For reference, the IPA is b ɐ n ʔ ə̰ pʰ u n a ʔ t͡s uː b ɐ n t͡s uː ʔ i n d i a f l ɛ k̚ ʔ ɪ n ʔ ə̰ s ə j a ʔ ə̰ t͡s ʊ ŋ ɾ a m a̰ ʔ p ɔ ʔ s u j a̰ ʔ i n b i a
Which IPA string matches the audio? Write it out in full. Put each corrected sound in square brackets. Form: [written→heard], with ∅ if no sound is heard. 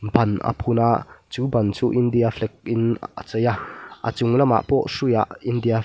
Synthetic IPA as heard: b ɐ n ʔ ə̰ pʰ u n a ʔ t͡s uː b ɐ n t͡s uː ʔ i n d i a f l ɛ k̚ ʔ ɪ n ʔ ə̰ [s→t͡s] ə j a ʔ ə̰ t͡s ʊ ŋ [ɾ→l] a m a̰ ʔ p ɔ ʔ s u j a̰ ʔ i n [b→d] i a